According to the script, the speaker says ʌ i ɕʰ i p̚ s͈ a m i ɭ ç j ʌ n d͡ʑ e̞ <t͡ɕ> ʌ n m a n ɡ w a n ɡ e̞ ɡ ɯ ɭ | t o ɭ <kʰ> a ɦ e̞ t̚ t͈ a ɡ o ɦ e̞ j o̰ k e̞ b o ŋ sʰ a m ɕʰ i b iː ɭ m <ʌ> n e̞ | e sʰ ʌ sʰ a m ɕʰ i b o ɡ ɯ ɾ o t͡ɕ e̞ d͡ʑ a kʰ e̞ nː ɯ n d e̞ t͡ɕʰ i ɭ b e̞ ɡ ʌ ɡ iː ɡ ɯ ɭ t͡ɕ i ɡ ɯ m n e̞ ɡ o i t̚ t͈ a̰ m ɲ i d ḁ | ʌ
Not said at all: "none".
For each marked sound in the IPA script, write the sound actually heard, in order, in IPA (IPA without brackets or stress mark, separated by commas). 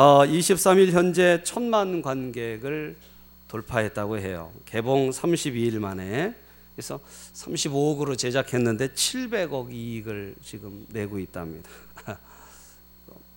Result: t͡ɕʰ, pʰ, a